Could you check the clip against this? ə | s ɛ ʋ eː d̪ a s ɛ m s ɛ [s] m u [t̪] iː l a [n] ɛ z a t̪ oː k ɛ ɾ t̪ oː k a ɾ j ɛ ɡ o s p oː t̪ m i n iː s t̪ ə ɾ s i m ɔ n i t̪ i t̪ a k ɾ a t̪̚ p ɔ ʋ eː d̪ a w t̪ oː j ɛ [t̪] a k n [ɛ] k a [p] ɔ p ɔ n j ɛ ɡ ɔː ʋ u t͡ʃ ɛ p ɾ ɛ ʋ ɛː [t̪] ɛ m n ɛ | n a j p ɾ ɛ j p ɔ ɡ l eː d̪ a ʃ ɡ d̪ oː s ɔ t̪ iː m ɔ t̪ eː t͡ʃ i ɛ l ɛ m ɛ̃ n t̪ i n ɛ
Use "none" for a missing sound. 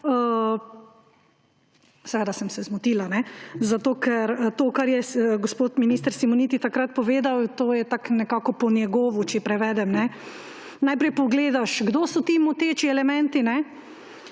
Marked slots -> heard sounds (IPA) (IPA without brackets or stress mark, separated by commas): z, t̪, n, t̪, ɛ, k, d̪